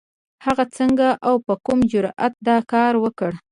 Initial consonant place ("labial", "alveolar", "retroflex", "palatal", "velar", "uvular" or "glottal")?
glottal